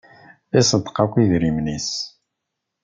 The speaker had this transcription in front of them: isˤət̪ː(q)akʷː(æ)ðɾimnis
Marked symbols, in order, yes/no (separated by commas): yes, no